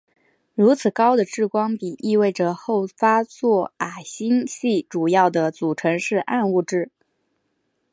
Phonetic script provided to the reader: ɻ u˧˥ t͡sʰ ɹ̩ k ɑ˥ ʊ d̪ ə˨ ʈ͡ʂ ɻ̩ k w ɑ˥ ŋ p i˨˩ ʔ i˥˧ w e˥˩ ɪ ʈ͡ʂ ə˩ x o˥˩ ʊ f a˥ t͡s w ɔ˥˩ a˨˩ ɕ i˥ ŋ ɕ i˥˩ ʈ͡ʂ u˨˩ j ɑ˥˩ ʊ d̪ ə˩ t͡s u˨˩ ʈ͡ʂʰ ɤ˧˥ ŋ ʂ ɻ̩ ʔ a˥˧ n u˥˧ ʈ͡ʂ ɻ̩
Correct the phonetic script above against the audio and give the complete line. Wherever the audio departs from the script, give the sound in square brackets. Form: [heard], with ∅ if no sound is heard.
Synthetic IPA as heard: ɻ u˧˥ t͡sʰ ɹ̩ k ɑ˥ ʊ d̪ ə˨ ʈ͡ʂ ɻ̩ k w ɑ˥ ŋ p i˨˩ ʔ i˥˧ w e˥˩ ɪ ʈ͡ʂ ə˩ x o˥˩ ʊ f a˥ t͡s w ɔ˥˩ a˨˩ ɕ i˥ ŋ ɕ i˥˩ ʈ͡ʂ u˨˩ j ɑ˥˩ ʊ d̪ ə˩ t͡s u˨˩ ʈ͡ʂʰ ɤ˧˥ ŋ ʂ ɻ̩ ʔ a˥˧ n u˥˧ ʈ͡ʂ ɻ̩